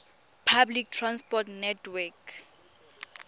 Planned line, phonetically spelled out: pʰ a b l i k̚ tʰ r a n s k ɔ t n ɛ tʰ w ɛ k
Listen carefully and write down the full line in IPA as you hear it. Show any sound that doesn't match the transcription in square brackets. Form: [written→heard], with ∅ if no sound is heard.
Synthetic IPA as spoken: pʰ a b l i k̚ tʰ r a n s [k→p] ɔ t n ɛ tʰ w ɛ k